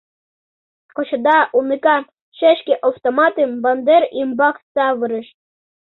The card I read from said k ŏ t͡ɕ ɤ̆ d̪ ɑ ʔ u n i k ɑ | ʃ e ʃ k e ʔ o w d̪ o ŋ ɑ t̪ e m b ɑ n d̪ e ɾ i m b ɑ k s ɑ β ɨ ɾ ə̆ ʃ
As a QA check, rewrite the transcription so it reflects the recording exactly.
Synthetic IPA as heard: k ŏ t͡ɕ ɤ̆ d̪ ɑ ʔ u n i k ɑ | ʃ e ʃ k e ʔ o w t̪ o m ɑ t̪ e m b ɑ n d̪ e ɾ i m b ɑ k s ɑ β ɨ ɾ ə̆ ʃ